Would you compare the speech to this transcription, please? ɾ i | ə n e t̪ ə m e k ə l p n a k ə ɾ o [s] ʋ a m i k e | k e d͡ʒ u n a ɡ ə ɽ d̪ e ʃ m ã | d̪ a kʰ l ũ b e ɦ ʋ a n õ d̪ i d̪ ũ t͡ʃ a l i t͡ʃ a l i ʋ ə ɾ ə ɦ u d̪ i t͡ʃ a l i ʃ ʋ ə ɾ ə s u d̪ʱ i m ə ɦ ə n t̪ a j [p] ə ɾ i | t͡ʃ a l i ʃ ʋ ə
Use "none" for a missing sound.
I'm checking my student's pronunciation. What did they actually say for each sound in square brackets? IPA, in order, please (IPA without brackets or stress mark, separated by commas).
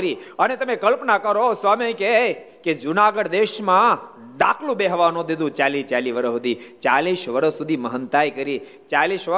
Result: s, k